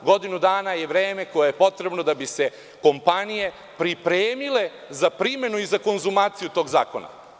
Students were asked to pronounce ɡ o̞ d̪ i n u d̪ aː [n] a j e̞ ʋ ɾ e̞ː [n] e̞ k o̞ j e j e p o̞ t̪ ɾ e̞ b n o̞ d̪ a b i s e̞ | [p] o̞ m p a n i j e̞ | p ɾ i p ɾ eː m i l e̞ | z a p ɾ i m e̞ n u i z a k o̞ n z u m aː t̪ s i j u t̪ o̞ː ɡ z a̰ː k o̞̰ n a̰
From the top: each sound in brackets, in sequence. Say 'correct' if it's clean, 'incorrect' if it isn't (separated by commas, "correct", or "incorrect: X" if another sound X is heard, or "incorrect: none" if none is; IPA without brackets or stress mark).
correct, incorrect: m, incorrect: k